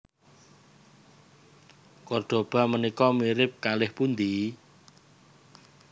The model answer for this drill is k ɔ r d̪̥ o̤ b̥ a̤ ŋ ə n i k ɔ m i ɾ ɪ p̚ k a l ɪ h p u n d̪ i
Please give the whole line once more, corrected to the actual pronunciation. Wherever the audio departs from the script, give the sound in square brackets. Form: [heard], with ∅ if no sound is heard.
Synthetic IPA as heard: k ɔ r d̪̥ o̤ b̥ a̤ [m] ə n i k ɔ m i ɾ ɪ p̚ k a l ɪ h p u n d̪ i